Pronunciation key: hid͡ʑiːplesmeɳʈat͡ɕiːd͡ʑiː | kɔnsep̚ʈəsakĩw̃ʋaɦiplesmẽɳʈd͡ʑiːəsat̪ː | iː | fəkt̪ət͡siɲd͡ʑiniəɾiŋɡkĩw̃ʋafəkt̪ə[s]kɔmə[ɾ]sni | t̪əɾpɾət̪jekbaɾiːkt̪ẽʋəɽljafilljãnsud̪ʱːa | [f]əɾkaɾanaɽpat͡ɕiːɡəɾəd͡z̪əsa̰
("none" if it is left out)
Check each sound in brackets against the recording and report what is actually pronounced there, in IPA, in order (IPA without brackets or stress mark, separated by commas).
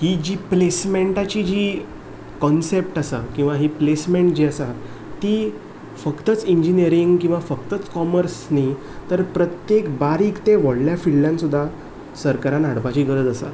t͡s, ɾ, s